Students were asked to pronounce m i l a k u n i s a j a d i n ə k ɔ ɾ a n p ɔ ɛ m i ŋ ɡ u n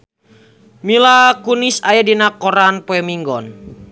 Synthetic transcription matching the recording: m i l a k u n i s a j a d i n a k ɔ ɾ a n p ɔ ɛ m i ŋ ɡ ɔ n